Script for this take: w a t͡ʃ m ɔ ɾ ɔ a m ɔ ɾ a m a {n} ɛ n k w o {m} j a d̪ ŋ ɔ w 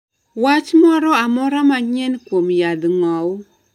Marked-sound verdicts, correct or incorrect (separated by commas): incorrect, correct